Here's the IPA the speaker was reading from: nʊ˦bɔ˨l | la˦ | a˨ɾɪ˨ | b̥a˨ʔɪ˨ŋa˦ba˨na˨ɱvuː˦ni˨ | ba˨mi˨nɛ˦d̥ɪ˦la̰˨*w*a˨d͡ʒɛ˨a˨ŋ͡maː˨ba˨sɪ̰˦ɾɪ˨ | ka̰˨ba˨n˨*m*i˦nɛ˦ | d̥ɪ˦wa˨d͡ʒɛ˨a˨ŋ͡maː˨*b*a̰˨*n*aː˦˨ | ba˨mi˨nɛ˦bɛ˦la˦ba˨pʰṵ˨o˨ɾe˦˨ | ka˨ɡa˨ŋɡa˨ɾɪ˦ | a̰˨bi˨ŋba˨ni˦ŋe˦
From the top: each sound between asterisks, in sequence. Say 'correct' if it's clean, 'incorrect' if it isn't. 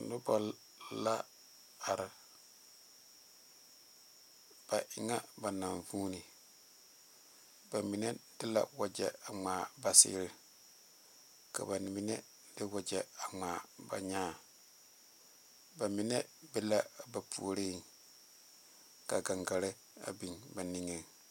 correct, correct, correct, incorrect: ɲ

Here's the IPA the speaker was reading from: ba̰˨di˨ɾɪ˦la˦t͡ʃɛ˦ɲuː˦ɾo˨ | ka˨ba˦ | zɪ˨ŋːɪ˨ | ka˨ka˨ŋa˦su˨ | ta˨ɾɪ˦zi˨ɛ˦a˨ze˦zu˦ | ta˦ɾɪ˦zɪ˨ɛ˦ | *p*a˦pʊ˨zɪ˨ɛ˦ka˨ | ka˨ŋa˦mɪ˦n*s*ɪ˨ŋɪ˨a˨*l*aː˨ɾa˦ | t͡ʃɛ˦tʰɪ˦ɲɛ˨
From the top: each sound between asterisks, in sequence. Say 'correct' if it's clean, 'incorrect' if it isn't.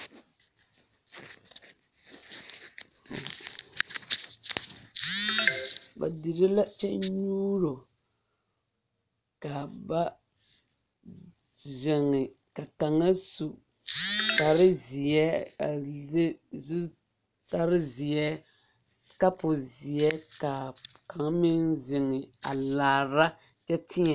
incorrect: k, incorrect: z, correct

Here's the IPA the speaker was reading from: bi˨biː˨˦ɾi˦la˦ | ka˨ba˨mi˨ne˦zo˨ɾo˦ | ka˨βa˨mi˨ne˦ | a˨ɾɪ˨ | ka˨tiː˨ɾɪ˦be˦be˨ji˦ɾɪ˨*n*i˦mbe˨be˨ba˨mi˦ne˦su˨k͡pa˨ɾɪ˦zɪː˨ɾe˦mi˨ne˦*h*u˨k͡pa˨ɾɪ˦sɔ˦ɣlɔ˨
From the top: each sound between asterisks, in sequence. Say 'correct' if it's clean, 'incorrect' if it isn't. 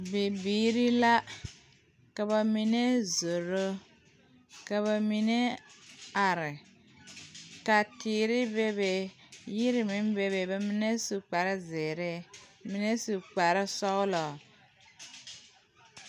incorrect: m, incorrect: s

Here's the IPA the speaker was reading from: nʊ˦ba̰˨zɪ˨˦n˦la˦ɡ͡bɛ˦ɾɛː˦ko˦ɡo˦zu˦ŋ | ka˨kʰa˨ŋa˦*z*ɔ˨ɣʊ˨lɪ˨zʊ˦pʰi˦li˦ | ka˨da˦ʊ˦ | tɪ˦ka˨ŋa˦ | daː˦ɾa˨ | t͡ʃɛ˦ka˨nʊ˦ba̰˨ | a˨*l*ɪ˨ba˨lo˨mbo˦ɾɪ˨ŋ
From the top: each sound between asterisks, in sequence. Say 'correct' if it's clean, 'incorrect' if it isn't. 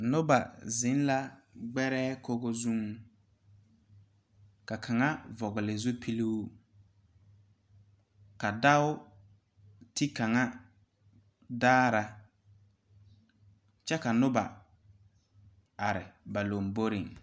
incorrect: v, incorrect: ɾ

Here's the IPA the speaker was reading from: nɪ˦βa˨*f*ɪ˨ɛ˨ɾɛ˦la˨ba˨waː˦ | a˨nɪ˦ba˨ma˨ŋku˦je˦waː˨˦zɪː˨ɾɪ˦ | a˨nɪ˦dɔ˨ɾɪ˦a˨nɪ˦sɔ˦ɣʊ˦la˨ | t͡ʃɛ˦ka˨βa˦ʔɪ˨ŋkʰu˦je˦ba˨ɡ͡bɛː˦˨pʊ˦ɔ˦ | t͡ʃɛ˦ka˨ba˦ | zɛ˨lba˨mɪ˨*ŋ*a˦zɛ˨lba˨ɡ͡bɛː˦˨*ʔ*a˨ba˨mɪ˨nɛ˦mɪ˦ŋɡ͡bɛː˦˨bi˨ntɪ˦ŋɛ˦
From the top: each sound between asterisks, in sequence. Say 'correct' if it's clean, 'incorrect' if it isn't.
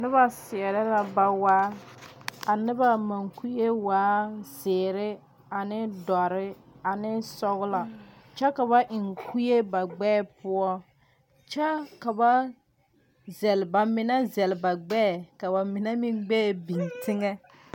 incorrect: s, incorrect: n, incorrect: k

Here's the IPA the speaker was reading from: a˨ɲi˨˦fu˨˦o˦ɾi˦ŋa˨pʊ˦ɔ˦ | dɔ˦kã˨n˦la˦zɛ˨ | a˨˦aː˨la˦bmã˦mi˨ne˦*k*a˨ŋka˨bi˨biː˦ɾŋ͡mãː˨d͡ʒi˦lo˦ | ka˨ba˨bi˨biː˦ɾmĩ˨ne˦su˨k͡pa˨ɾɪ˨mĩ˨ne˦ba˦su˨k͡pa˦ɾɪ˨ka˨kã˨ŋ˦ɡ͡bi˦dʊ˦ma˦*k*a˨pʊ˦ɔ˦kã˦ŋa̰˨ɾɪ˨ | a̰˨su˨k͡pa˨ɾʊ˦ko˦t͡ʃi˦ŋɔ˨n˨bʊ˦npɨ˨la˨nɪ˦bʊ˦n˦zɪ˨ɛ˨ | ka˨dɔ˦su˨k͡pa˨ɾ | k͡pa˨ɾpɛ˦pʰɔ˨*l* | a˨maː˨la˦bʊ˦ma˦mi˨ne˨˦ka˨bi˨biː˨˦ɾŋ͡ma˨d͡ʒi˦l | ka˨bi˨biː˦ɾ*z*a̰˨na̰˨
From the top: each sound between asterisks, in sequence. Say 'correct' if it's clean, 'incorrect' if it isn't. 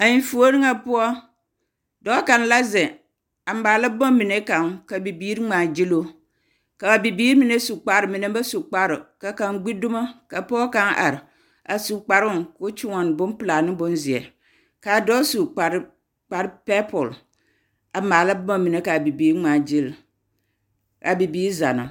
correct, correct, correct, correct

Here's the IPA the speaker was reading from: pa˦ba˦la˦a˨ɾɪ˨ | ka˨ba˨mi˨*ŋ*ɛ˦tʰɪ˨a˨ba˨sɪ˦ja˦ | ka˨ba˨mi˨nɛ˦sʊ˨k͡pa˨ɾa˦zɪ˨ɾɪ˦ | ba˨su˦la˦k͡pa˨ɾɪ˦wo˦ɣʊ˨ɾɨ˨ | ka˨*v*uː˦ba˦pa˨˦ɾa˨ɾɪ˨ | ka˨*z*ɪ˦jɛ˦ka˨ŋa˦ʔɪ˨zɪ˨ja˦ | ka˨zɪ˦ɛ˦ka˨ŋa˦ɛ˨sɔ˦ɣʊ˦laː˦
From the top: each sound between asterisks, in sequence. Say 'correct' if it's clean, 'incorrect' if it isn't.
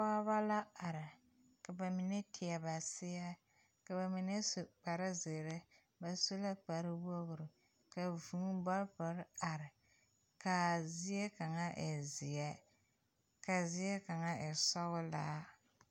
incorrect: n, correct, correct

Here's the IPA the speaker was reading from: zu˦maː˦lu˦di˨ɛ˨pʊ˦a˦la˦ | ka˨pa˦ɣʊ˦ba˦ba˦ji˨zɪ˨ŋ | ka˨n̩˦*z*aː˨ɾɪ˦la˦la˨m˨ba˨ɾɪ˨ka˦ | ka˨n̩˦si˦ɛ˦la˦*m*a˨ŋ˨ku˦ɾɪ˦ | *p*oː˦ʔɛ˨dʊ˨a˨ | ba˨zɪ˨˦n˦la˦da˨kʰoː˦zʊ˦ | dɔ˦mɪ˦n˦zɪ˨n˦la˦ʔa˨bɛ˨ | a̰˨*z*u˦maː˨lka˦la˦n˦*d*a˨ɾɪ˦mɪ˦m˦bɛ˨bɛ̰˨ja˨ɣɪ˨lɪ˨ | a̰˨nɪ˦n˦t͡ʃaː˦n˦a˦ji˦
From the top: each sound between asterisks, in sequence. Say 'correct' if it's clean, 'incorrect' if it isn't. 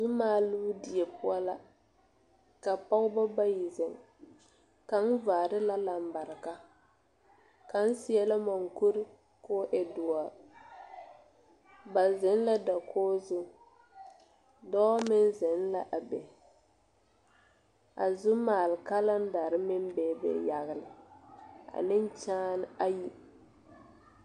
incorrect: v, correct, incorrect: k, correct, correct

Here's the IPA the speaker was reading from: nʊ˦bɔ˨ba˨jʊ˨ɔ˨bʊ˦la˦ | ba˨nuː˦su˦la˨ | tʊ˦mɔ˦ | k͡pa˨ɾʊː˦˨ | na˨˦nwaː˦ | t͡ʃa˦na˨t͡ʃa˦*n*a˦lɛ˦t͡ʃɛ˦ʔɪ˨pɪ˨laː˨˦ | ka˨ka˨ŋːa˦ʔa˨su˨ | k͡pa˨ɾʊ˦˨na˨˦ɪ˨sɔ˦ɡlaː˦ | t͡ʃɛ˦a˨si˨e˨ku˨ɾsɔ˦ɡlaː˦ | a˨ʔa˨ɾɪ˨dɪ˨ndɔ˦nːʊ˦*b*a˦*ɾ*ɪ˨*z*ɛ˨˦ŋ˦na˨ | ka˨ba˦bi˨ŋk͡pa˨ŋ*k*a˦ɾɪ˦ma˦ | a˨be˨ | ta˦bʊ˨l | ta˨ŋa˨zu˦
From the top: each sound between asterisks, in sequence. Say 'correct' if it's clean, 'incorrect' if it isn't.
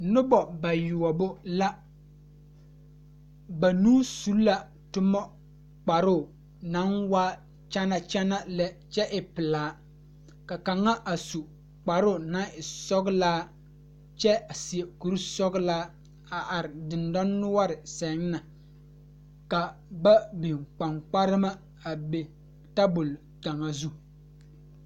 correct, incorrect: w, correct, incorrect: s, incorrect: k͡p

